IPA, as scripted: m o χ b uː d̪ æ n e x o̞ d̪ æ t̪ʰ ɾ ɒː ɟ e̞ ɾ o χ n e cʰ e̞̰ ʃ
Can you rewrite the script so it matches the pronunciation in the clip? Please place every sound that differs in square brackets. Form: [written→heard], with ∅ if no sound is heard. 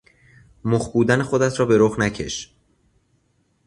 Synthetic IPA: m o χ b uː d̪ æ n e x o̞ d̪ æ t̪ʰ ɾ ɒː [ɟ→b] e̞ ɾ o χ n [e→æ] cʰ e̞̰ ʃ